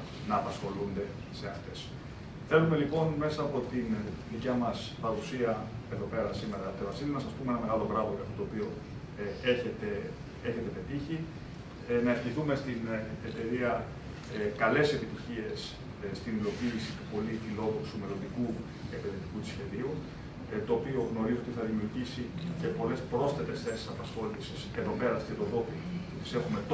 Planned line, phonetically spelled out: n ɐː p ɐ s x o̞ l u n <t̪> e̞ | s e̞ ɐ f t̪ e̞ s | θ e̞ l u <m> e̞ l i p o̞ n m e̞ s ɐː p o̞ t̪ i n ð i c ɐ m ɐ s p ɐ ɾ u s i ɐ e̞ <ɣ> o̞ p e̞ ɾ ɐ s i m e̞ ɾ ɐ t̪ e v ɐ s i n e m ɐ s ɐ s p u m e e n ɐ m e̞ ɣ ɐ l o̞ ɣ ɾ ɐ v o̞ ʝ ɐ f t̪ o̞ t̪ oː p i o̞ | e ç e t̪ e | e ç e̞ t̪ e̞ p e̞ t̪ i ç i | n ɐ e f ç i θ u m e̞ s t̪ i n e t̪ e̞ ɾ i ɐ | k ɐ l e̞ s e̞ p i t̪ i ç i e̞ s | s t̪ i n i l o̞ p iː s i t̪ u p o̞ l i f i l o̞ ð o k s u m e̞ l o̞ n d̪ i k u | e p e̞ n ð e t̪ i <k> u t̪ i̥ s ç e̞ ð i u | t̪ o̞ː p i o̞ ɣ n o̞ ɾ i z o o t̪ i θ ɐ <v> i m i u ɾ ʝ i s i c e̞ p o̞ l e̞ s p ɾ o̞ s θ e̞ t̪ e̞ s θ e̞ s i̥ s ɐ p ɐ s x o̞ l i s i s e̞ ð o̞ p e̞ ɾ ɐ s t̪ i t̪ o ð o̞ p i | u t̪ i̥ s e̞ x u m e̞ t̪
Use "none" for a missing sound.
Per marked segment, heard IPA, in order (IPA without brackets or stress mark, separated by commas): d̪, m, ð, k, ð